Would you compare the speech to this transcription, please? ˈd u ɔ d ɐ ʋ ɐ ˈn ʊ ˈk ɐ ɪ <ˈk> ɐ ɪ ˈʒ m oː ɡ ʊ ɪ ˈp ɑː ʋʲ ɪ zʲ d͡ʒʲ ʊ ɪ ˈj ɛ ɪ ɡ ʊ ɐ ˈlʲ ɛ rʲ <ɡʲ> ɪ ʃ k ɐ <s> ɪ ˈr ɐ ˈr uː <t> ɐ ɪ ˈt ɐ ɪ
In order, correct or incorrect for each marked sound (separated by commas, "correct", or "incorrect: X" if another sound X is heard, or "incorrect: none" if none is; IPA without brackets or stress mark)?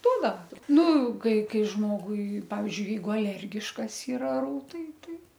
correct, correct, correct, correct